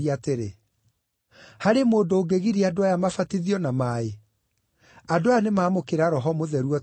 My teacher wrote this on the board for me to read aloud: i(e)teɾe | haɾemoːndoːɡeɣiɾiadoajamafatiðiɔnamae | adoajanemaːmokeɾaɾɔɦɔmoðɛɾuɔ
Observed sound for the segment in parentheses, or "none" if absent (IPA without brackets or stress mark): a